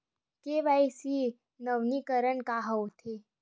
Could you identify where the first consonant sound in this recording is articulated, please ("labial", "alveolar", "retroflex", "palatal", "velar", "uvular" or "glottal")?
velar